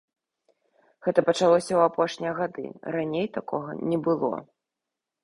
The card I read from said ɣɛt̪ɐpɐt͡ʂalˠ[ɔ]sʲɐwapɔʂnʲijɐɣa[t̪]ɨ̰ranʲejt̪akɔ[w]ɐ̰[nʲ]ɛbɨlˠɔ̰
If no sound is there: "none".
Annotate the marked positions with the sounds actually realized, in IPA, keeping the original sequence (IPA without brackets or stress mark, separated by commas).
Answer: ɔ, d̪, ɣ, nʲ